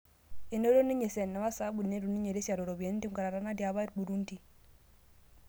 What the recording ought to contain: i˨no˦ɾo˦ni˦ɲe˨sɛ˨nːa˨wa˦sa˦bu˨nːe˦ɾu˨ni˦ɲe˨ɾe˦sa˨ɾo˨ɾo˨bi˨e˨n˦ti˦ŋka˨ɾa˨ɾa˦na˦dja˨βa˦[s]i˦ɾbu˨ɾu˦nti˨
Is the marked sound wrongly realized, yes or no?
yes